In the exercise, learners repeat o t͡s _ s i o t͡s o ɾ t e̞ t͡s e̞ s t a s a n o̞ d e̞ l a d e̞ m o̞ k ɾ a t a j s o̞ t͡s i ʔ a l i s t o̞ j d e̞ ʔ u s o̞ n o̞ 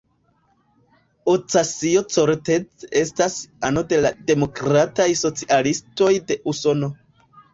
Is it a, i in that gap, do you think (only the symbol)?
a